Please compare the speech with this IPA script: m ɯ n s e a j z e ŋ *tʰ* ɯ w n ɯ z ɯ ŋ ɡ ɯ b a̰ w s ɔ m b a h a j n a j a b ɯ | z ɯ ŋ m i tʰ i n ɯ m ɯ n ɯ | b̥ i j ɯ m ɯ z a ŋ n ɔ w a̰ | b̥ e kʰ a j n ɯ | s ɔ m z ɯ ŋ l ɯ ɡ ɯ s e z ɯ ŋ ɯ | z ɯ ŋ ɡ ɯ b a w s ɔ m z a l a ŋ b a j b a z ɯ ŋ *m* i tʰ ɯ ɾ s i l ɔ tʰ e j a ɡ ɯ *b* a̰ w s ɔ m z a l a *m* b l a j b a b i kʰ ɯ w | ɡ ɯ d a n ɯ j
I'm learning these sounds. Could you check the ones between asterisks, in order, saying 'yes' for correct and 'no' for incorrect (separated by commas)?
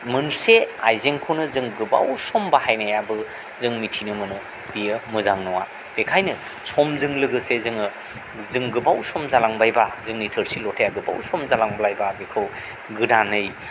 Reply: no, no, yes, no